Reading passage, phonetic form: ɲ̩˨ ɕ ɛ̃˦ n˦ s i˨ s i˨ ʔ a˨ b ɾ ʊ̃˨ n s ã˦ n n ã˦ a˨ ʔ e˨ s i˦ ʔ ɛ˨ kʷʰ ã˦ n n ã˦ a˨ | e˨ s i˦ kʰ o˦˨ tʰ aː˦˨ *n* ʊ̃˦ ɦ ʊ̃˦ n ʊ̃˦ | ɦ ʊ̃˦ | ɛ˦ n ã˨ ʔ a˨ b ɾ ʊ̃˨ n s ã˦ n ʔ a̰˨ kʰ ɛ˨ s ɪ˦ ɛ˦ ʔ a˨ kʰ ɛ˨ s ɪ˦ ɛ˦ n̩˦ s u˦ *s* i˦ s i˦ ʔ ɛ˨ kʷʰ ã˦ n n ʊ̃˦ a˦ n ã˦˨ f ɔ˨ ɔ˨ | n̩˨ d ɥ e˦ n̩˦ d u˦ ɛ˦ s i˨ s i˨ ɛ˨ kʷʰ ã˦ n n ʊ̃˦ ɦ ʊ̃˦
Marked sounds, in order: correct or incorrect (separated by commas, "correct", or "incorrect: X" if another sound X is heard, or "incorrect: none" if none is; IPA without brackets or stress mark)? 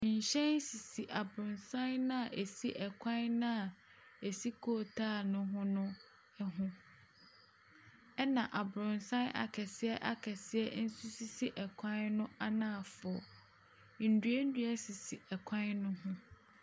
correct, correct